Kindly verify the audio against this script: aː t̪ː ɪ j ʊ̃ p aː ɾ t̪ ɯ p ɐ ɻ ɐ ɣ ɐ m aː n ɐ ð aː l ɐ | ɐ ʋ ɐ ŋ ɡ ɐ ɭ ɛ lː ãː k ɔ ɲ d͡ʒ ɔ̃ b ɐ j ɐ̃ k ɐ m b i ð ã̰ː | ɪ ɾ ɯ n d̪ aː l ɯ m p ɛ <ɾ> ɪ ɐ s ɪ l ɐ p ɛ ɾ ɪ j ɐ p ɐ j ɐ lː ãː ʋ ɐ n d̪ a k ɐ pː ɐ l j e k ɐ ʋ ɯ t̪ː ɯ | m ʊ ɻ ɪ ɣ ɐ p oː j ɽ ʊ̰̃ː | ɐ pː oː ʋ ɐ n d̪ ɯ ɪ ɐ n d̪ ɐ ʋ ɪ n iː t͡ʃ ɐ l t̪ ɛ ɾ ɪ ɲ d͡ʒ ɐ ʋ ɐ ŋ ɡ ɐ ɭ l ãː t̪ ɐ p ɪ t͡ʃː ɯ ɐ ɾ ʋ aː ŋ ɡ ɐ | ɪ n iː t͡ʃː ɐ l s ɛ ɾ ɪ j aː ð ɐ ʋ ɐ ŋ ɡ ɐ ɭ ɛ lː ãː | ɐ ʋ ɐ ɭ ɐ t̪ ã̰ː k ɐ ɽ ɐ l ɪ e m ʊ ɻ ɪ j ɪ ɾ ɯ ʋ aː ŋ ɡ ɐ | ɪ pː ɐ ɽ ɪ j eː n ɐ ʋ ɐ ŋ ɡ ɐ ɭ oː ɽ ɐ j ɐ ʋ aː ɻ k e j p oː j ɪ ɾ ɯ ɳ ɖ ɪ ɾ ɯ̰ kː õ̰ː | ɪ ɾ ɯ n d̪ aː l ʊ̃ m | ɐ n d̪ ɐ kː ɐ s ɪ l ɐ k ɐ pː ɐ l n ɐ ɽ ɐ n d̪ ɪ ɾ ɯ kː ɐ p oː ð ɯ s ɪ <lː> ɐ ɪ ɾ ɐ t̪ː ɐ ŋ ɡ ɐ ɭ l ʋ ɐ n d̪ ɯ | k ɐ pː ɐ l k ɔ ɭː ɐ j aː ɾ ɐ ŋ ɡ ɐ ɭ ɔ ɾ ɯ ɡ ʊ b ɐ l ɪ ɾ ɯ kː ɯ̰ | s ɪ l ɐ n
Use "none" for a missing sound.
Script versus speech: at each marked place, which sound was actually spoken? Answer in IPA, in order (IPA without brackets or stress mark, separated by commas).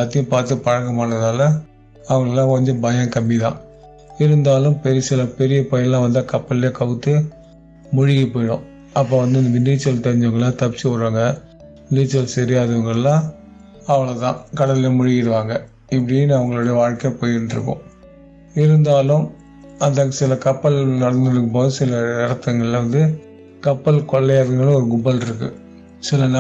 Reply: ɾ, l